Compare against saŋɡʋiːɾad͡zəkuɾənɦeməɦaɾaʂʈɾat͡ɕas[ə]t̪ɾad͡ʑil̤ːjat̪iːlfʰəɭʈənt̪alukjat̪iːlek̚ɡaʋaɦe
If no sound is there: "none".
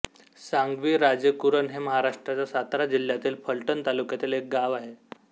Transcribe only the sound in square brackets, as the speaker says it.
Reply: a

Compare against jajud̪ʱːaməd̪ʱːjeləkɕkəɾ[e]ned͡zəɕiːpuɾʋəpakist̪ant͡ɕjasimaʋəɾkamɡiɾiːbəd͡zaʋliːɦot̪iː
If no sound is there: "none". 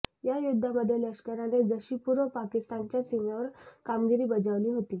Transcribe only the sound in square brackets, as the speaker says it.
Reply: a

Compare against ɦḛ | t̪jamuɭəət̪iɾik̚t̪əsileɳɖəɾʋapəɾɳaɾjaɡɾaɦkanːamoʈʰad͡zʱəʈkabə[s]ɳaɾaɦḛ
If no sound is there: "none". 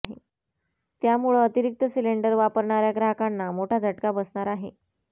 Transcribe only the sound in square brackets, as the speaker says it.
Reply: s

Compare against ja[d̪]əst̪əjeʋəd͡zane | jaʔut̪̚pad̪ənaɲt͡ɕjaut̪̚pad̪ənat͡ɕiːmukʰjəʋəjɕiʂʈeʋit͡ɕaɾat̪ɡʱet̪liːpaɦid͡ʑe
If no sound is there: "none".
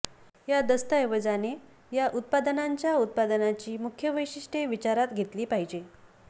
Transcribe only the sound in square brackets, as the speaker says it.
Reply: d̪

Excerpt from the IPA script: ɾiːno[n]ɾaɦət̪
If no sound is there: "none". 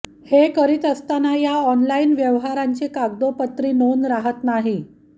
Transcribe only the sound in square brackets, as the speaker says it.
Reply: n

